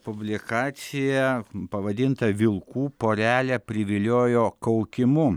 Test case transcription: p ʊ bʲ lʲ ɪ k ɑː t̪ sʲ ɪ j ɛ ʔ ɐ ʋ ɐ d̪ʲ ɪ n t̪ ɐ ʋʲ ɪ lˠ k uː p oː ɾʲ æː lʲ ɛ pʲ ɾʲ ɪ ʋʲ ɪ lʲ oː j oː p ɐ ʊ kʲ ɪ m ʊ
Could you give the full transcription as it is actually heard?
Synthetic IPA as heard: p ʊ bʲ lʲ ɪ k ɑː t̪ sʲ ɪ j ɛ p ɐ ʋ ɐ d̪ʲ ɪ n t̪ ɐ ʋʲ ɪ lˠ k uː p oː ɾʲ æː lʲ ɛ pʲ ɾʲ ɪ ʋʲ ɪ lʲ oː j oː k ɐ ʊ kʲ ɪ m ʊ